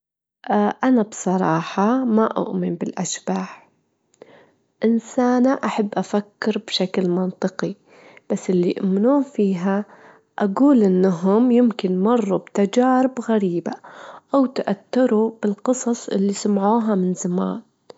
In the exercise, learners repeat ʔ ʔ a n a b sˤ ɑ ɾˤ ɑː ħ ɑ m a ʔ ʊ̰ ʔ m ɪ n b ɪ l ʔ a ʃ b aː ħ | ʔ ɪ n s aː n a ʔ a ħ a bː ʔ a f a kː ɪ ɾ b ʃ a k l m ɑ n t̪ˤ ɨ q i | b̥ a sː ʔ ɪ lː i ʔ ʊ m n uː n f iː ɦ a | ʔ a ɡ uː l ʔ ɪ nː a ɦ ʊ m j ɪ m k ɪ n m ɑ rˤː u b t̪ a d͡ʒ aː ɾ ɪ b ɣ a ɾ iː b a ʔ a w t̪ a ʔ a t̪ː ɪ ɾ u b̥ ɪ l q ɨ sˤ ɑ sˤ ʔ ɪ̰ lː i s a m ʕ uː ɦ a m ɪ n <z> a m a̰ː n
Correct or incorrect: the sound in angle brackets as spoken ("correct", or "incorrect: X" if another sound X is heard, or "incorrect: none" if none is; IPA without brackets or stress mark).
correct